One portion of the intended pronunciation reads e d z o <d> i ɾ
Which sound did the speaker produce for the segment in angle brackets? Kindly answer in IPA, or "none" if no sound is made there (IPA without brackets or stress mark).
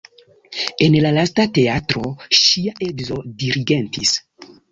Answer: d